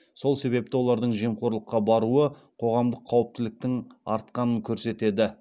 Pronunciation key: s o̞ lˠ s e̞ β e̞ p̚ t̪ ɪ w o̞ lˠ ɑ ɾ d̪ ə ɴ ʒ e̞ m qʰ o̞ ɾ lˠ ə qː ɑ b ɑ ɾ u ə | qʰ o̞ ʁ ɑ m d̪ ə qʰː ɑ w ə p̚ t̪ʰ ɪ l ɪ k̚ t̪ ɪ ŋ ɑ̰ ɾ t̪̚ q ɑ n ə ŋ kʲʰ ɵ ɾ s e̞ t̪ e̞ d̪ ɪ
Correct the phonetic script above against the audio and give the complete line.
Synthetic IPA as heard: s o̞ lˠ s e̞ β e̞ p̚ t̪ ɪ w o̞ lˠ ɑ ɾ d̪ ə ɴ ʒ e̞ m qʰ o̞ ɾ lˠ ə qː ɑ b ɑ ɾ u ə | qʰ o̞ ʁ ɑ m d̪ ə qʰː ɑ w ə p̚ t̪ ɪ l ɪ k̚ t̪ ɪ ŋ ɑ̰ ɾ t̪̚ q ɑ n ə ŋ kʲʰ ɵ ɾ s e̞ t̪ e̞ d̪ ɪ